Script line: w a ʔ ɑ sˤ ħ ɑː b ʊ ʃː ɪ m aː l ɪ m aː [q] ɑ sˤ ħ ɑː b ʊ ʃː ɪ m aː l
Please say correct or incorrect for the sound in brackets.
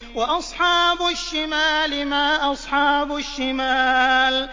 incorrect